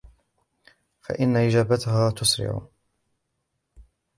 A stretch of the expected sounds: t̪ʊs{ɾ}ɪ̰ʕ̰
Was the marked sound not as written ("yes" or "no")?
no